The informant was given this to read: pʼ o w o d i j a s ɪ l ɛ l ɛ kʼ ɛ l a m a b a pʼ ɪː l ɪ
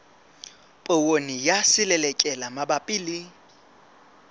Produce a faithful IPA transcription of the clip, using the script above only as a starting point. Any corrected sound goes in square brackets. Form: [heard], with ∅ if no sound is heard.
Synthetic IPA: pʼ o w o [n] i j a s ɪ l ɛ l ɛ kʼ ɛ l a m a b a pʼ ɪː l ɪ